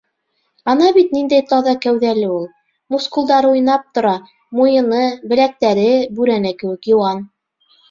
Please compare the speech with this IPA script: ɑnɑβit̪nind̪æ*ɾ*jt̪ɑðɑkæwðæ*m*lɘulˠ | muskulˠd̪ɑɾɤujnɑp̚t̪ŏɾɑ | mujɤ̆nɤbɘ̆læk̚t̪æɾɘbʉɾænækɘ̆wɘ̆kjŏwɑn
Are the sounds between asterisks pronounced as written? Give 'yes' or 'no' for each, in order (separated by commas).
no, no